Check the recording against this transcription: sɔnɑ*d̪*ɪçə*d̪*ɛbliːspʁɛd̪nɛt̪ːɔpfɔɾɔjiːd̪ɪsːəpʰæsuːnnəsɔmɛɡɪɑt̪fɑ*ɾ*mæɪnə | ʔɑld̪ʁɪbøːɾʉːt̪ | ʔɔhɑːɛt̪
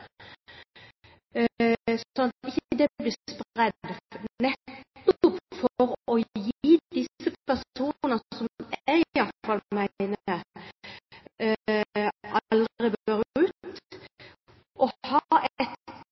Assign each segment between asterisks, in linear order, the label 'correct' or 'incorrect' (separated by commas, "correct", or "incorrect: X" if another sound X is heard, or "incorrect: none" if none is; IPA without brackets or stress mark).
incorrect: t̪, correct, incorrect: l